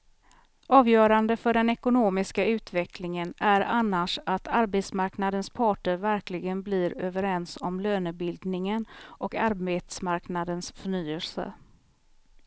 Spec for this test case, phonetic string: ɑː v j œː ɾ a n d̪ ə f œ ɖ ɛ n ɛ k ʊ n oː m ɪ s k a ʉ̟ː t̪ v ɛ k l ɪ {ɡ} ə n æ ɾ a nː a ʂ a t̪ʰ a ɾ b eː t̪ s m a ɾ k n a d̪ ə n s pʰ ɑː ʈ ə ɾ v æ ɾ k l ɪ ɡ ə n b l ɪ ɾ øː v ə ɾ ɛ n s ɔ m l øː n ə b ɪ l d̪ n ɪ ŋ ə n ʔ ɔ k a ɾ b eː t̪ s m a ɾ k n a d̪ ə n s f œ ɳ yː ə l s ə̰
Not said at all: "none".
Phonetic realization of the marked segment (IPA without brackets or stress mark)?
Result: ŋ